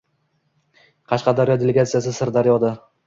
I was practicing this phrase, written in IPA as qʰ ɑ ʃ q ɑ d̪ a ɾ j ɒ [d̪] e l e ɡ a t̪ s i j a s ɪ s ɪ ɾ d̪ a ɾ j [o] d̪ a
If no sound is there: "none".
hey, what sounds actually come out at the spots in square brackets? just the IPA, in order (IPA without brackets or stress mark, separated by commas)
d̪, ɒ